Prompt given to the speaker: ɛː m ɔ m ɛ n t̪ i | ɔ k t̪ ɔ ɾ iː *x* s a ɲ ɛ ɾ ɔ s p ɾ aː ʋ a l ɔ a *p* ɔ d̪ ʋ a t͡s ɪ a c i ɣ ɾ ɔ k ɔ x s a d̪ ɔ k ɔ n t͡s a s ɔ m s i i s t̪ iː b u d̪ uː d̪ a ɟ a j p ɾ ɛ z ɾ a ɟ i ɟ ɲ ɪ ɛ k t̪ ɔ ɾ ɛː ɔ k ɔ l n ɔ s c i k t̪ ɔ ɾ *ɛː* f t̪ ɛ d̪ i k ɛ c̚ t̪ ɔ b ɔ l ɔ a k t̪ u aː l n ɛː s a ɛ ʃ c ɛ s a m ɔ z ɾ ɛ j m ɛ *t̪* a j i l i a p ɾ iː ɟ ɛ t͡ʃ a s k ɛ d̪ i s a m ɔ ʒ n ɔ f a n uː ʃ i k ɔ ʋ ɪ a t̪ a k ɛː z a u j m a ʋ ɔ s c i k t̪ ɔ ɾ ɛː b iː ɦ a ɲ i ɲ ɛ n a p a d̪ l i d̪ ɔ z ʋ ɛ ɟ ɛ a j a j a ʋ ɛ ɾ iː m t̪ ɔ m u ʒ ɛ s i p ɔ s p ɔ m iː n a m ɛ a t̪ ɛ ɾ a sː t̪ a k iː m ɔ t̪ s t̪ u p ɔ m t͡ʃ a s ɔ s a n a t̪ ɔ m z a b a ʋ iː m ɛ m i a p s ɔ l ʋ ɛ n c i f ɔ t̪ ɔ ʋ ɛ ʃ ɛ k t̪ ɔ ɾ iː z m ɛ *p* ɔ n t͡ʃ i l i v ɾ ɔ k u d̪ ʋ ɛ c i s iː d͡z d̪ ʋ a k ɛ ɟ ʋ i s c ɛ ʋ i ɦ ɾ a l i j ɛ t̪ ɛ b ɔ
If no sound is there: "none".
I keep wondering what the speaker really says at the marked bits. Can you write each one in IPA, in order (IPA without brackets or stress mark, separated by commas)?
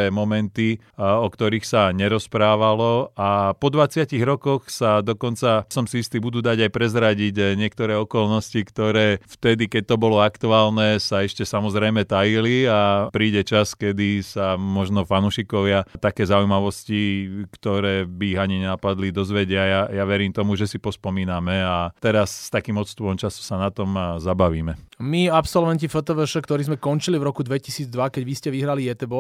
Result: x, p, ɛː, t̪, k